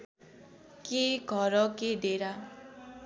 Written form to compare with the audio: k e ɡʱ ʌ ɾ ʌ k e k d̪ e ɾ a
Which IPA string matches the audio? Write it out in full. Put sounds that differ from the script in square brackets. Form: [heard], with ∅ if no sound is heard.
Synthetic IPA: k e ɡʱ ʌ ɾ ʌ k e [∅] d̪ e ɾ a